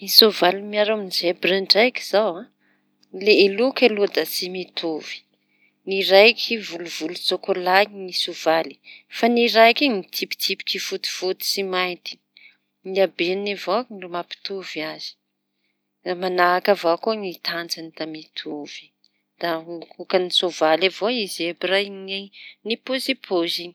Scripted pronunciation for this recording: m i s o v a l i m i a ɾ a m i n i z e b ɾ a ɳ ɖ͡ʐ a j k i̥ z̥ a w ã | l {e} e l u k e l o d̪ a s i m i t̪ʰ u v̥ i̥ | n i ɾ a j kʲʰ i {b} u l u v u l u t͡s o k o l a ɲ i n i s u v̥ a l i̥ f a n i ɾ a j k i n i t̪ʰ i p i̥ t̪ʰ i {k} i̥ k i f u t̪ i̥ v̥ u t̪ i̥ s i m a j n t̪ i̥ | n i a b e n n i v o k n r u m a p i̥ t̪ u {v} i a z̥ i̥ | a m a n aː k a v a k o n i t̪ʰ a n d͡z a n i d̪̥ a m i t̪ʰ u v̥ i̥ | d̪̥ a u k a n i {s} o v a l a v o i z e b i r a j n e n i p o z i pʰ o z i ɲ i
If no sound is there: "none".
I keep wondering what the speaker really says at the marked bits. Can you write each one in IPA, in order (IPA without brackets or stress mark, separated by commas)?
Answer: e, v, p, v, s